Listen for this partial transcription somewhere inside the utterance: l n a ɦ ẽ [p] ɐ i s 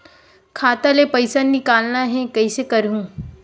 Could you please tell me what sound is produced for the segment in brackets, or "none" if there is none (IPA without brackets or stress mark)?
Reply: k